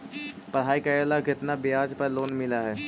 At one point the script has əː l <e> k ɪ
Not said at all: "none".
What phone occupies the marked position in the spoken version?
a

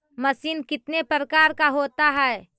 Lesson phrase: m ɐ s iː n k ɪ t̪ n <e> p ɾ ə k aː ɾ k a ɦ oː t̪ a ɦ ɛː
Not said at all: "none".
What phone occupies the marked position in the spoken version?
e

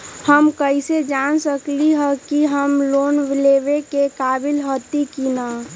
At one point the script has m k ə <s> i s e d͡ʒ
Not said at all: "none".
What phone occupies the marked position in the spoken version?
none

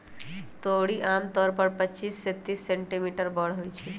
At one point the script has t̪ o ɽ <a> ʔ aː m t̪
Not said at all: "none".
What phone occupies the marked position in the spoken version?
i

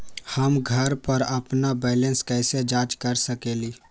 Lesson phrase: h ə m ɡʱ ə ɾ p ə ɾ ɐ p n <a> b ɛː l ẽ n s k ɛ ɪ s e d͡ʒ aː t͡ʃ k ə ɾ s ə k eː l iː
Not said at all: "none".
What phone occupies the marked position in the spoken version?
a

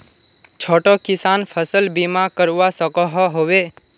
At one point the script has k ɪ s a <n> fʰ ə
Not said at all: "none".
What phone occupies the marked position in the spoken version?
n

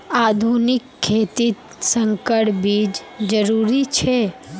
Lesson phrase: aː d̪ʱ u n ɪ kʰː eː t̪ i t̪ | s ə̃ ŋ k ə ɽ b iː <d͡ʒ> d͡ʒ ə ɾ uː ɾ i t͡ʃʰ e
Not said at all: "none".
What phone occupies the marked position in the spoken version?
d͡ʒ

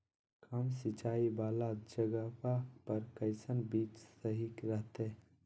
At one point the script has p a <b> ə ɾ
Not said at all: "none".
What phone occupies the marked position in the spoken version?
p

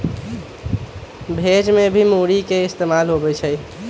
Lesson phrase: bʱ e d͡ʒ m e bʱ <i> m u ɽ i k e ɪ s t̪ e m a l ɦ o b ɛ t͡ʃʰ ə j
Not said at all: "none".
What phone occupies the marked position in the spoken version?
i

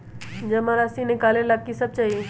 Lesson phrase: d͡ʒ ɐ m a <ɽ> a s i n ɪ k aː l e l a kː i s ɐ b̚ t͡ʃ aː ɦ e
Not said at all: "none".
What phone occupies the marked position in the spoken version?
ɾ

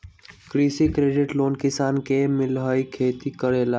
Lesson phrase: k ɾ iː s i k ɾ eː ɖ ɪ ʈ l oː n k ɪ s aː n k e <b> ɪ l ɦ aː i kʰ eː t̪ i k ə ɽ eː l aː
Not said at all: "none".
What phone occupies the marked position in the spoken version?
m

